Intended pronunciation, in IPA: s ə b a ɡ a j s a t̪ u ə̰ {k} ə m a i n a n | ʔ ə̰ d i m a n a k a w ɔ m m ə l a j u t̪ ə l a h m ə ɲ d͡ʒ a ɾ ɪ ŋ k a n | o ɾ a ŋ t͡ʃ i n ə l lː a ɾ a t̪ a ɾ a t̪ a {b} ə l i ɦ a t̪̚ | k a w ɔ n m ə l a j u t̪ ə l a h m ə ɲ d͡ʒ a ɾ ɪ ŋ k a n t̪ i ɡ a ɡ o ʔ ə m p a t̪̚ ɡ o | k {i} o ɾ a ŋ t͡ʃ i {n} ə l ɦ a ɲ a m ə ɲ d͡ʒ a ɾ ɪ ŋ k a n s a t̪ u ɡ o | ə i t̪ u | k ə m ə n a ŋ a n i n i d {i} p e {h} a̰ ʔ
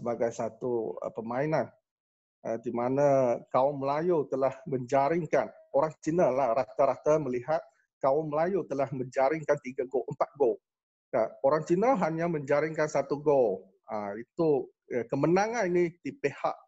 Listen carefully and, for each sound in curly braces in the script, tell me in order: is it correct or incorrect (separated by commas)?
incorrect, incorrect, incorrect, correct, correct, correct